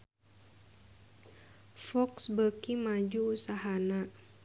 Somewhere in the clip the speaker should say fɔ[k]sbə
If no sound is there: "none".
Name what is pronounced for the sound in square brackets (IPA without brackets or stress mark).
k